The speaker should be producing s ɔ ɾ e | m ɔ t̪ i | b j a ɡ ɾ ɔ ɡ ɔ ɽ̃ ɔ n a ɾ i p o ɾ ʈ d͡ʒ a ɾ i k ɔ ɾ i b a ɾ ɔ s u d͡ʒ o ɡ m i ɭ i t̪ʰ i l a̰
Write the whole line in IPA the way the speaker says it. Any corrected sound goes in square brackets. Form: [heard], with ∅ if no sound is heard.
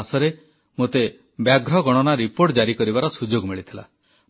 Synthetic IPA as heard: s ɔ ɾ e | m [o] t̪ [e] | b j a ɡ ɾ ɔ ɡ ɔ ɽ̃ ɔ n a ɾ i p o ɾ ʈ d͡ʒ a ɾ i k ɔ ɾ i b a ɾ ɔ s u d͡ʒ o ɡ m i ɭ i t̪ʰ i l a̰